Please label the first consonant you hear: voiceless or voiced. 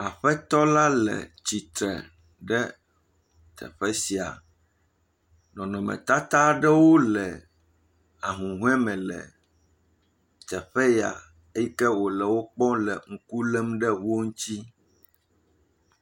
voiceless